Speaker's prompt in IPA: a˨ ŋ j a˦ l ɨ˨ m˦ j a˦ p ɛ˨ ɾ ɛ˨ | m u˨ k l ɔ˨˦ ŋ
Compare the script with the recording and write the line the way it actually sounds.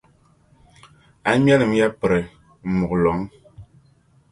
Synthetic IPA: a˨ m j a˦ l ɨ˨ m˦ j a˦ p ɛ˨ ɾ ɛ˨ | m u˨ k l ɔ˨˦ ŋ